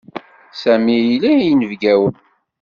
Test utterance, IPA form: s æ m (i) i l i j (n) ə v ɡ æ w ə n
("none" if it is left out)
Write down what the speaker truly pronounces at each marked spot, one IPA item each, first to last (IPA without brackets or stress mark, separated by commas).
i, n